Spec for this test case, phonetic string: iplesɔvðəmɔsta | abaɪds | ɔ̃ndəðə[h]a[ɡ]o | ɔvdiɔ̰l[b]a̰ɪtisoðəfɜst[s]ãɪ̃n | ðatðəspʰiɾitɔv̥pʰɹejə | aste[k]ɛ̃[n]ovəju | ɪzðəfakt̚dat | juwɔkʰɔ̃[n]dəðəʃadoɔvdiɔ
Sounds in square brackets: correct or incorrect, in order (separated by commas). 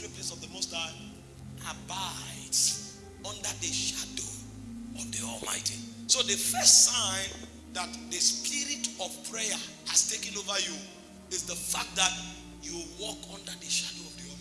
incorrect, incorrect, incorrect, correct, correct, correct, correct